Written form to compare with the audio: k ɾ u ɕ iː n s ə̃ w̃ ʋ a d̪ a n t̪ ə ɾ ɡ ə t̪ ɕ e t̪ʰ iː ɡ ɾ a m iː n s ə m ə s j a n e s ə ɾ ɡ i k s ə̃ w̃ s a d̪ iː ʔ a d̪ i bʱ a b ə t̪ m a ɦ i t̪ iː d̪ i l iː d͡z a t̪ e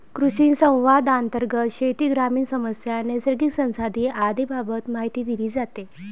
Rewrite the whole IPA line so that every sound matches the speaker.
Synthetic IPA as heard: k ɾ u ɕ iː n s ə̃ w̃ ʋ a d̪ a n t̪ ə ɾ ɡ ə t̪ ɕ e t̪ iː ɡ ɾ a m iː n s ə m ə s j a n e s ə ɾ ɡ i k s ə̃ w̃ s a d̪ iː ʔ a d̪ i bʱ a b ə t̪ m a ɦ i t̪ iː d̪ i l iː d͡z a t̪ e